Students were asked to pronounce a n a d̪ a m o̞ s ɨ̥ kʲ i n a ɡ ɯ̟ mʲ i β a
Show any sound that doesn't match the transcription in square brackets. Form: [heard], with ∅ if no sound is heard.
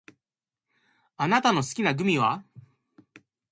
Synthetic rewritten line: a n a [t̪] a [n] o̞ s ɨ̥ kʲ i n a ɡ ɯ̟ mʲ i β a

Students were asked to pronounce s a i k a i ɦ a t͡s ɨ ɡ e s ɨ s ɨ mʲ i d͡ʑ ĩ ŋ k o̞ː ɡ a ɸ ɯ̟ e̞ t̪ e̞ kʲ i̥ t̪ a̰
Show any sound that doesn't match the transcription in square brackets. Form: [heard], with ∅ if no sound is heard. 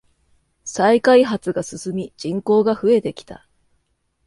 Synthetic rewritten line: s a i k a i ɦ a t͡s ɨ ɡ [a] s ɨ s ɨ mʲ i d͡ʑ ĩ ŋ k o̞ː ɡ a ɸ ɯ̟ e̞ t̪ e̞ kʲ i̥ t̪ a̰

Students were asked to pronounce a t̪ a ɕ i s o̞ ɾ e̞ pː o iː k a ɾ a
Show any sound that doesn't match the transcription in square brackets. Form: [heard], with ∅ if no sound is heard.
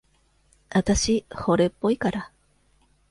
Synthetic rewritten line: a t̪ a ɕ i [h] o̞ ɾ e̞ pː o [i] k a ɾ a

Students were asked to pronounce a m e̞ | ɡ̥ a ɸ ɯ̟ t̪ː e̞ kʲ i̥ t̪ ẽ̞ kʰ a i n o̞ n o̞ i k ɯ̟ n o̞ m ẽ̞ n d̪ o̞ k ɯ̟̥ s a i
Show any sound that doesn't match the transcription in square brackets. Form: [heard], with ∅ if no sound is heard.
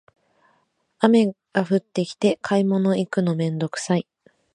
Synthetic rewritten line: a m e̞ | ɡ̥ a ɸ ɯ̟ t̪ː e̞ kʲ i̥ t̪ [e̞] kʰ a i [m] o̞ n o̞ i k ɯ̟ n o̞ m ẽ̞ n d̪ o̞ k ɯ̟̥ s a i

